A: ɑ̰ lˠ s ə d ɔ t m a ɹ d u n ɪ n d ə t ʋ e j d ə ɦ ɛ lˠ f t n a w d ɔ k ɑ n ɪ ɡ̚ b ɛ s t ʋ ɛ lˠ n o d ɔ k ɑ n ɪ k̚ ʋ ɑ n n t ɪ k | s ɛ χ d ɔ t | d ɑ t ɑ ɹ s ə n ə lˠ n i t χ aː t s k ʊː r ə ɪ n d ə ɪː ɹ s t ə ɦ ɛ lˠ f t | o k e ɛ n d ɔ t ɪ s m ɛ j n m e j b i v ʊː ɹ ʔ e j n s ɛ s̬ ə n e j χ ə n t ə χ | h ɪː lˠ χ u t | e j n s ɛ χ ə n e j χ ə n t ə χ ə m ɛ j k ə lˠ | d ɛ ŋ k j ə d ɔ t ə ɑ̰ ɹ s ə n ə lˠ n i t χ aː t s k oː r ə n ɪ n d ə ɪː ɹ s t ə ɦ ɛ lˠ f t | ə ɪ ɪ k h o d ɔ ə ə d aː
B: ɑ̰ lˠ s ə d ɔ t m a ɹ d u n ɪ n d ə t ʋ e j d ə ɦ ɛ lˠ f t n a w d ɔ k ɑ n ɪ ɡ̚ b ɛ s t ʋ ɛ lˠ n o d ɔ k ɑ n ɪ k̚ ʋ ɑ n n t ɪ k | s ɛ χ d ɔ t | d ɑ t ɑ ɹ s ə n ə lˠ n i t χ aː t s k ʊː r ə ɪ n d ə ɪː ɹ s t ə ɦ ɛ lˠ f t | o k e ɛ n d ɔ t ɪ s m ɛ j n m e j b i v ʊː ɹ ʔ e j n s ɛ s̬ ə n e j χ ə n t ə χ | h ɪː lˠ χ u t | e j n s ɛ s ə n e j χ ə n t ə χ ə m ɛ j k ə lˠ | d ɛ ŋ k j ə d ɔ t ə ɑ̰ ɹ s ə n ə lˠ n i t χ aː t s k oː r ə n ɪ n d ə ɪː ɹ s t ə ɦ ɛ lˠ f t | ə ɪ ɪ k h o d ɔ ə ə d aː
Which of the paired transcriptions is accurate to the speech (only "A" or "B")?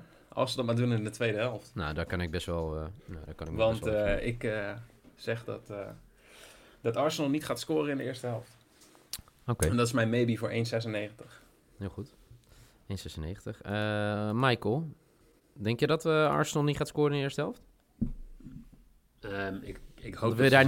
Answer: B